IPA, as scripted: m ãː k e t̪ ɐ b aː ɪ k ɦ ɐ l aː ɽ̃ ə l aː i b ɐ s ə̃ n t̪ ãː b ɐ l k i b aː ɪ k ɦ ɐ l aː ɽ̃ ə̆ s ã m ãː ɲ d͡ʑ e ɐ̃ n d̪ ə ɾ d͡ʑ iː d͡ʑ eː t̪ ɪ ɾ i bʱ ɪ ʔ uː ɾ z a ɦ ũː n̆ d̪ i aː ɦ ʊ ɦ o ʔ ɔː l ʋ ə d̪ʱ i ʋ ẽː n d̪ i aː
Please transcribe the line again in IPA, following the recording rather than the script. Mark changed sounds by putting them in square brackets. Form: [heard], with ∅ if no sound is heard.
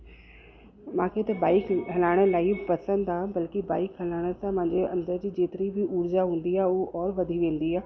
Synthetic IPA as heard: m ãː [kʰ] e t̪ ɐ b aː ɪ k ɦ ɐ l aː ɽ̃ ə l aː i [p] ɐ s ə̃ n [d̪] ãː b ɐ l k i b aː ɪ k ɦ ɐ l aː ɽ̃ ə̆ s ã m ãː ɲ d͡ʑ e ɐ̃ n d̪ ə ɾ d͡ʑ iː d͡ʑ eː t̪ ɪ ɾ i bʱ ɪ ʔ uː ɾ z a ɦ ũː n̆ d̪ i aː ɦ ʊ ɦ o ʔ ɔː [ɾ] ʋ [ɐ] d̪ʱ i ʋ ẽː n d̪ i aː

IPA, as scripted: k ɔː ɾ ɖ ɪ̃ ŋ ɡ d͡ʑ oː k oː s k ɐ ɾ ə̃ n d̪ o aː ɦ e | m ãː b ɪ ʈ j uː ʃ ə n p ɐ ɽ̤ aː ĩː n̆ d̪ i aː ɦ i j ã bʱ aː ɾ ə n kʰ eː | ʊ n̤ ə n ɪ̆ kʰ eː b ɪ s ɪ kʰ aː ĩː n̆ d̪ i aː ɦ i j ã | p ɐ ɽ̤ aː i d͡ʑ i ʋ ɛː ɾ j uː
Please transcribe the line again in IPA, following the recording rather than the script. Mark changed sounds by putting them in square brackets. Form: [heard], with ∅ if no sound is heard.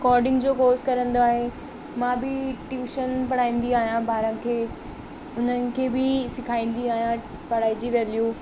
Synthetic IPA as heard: k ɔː ɾ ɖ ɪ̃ ŋ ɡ d͡ʑ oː k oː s k ɐ ɾ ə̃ n d̪ o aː ɦ e | m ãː b ɪ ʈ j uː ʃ ə n p ɐ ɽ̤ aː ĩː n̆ d̪ i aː ɦ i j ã bʱ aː ɾ ə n kʰ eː | ʊ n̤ ə n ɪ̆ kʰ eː b ɪ s ɪ kʰ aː ĩː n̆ d̪ i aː ɦ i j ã | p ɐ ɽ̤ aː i d͡ʑ i ʋ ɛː [l] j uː

